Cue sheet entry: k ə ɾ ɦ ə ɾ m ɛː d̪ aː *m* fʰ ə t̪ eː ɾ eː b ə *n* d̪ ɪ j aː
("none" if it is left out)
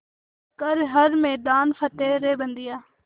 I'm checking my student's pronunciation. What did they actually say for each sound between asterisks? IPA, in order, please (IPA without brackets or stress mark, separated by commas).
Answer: n, n